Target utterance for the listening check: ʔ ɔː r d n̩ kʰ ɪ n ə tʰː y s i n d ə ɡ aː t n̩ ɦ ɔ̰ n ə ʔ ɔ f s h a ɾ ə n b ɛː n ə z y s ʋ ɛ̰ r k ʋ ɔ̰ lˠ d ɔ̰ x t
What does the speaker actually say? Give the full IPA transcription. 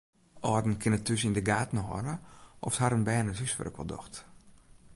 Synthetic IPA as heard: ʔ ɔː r d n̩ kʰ ɪ n ə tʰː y s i n d ə ɡ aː t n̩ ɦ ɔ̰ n ə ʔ ɔ f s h a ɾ ə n b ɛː n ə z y s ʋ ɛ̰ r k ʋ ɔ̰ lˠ d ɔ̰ x t